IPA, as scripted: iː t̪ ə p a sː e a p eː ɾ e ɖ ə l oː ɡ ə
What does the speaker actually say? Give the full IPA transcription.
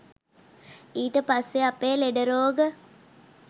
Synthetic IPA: iː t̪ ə p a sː e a p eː l e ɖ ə ɾ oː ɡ ə